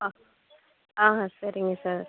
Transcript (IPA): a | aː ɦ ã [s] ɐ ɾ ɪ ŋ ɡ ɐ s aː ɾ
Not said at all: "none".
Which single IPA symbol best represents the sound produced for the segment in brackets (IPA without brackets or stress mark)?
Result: s